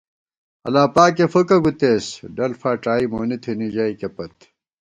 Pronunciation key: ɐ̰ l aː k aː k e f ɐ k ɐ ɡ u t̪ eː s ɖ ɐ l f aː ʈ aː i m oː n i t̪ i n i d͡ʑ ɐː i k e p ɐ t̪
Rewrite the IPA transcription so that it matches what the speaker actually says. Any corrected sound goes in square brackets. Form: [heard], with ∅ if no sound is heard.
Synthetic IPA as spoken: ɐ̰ l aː [p] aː k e f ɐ k ɐ ɡ u t̪ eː s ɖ ɐ l f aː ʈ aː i m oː n i [t̪ʰ] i n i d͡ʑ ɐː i k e p ɐ t̪

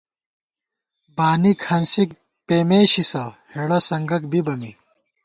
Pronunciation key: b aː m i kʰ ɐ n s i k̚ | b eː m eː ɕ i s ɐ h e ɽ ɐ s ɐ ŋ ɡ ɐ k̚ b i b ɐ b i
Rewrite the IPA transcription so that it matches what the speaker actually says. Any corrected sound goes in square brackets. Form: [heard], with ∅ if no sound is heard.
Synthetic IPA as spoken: b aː [n] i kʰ ɐ n s i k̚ | [p] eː m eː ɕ i s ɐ h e ɽ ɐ s ɐ ŋ ɡ ɐ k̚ b i b ɐ [m] i

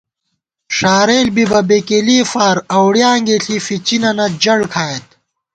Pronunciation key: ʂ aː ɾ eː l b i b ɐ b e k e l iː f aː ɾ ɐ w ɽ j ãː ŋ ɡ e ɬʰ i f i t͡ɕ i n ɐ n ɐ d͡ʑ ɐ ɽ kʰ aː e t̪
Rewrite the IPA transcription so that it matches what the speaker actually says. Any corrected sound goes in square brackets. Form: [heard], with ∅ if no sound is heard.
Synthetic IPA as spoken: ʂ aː ɾ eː l b i b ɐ b e k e l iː f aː ɾ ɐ w ɽ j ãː ŋ ɡ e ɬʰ i f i t͡ɕ i n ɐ n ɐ d͡ʑ ɐ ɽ kʰ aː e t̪

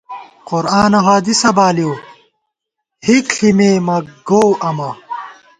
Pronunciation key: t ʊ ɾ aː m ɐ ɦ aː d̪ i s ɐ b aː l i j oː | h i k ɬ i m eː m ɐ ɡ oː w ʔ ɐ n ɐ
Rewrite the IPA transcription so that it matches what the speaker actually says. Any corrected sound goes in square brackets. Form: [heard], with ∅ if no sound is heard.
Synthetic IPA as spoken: [q] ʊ ɾ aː [n] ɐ ɦ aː d̪ i s ɐ b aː l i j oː | h i k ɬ i m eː m ɐ ɡ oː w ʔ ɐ [m] ɐ

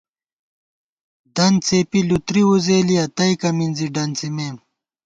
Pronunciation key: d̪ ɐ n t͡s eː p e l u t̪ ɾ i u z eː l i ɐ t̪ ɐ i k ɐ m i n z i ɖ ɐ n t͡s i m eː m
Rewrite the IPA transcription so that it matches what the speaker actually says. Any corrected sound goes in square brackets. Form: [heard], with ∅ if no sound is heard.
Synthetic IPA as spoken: d̪ ɐ n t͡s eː p [i] l u t̪ ɾ i u z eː l i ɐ t̪ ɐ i k ɐ m i n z i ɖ ɐ n t͡s i m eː m

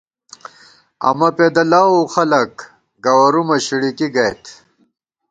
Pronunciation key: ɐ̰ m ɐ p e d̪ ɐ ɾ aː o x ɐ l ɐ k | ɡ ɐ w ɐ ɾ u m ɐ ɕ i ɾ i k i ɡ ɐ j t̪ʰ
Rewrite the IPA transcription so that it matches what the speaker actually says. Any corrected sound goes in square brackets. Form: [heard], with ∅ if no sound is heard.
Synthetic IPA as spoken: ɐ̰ m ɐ p e d̪ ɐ [l] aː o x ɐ l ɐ k | ɡ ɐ w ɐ ɾ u m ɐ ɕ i [ɽ] i k i ɡ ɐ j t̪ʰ

